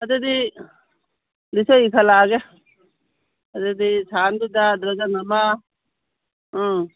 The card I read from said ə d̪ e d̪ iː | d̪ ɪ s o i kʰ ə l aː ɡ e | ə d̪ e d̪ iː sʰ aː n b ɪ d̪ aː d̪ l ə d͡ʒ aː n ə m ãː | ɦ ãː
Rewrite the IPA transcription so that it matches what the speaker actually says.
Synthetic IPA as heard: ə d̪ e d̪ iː | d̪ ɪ s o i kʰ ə l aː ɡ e | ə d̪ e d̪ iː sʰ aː n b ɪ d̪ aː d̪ ɾ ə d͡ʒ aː n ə m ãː | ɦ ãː